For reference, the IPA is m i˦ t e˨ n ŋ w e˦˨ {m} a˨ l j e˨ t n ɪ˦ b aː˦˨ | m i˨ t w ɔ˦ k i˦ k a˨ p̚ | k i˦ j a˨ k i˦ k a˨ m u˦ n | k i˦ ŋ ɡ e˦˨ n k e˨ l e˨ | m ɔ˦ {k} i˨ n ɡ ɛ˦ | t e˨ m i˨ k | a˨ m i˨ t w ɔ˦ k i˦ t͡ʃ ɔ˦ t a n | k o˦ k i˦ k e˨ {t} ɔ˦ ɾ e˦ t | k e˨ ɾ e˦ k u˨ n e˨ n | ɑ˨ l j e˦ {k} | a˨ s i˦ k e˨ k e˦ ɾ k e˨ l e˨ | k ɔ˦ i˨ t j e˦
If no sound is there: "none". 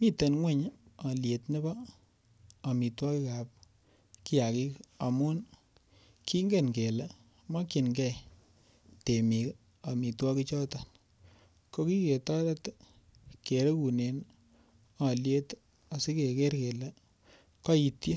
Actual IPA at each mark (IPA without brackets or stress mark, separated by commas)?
ɲ, k, t, t